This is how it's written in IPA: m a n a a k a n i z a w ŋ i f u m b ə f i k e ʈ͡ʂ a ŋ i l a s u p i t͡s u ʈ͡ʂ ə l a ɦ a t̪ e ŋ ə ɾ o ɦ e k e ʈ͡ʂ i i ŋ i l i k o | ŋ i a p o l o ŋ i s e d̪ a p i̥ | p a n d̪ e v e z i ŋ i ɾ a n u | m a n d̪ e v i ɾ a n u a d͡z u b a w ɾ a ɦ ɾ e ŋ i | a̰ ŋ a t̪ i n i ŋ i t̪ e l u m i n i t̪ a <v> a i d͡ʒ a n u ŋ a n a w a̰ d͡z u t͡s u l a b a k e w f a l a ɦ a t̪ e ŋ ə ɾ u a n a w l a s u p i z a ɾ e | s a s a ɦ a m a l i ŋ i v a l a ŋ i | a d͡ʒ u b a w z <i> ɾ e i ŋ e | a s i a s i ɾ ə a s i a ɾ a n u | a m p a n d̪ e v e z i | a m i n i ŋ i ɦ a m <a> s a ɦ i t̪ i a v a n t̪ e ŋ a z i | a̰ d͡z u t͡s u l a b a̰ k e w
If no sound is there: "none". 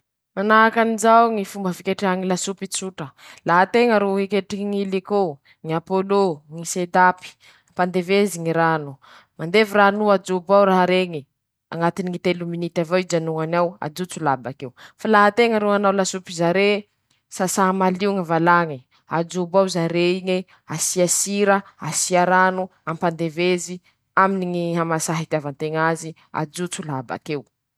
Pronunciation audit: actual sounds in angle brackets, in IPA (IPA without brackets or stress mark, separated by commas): v, a, a